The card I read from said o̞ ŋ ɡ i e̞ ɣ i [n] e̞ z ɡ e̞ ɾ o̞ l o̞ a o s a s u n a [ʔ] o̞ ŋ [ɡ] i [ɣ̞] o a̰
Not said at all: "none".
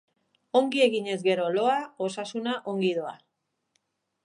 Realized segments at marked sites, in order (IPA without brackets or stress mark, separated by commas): ɲ, ʔ, ɡ, ð̞